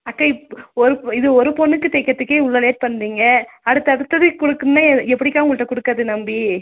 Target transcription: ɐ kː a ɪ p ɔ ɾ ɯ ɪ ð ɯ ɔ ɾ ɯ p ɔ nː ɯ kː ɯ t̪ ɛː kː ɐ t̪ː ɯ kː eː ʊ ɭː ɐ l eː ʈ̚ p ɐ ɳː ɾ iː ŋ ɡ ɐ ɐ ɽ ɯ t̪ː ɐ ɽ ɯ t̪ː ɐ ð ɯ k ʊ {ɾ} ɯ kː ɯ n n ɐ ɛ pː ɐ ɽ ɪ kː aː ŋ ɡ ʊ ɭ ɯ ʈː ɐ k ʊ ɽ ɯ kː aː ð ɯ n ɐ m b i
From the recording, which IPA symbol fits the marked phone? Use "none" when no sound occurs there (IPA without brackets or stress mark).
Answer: ɽ